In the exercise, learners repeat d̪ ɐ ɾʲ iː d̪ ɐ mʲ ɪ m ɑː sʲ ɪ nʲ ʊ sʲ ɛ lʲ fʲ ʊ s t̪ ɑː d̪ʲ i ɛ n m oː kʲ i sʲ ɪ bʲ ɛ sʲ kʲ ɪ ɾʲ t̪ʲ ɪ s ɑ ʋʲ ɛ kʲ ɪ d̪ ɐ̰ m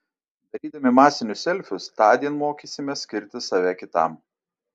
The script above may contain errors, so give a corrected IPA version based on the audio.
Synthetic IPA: d̪ ɐ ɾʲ iː d̪ ɐ mʲ ɪ m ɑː sʲ ɪ nʲ ʊ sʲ ɛ lʲ fʲ ʊ s t̪ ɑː d̪ʲ i ɛ n m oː kʲ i sʲ ɪ mʲ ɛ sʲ kʲ ɪ ɾʲ t̪ʲ ɪ s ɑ ʋʲ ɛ kʲ ɪ t̪ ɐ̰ m